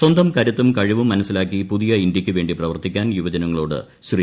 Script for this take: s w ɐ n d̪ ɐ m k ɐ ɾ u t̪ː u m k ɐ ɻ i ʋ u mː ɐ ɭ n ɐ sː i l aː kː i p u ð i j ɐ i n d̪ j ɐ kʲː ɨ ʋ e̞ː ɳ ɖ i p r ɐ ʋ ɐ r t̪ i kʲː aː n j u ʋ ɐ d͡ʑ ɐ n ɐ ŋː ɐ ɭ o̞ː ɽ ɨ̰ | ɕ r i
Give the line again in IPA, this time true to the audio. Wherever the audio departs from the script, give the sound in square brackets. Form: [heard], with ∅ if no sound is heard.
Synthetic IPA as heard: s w ɐ n d̪ ɐ m k ɐ ɾ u t̪ː u m k ɐ ɻ i ʋ u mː ɐ [∅] n ɐ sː i l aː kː i p u ð i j ɐ i n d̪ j ɐ kʲː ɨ ʋ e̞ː ɳ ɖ i p r ɐ ʋ ɐ r t̪ i kʲː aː n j u ʋ ɐ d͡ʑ ɐ n ɐ ŋː ɐ ɭ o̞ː ɽ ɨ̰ | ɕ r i